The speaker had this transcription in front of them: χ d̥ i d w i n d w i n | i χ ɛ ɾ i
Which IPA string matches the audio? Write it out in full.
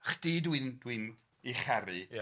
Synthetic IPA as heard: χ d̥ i d w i n d w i n | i χ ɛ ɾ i